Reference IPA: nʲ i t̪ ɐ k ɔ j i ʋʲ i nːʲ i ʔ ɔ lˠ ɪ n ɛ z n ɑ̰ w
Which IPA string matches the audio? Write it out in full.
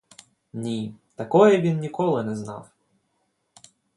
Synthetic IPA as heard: nʲ i t̪ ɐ k ɔ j ɛ ʋʲ i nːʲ i k ɔ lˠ ɪ n ɛ z n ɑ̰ w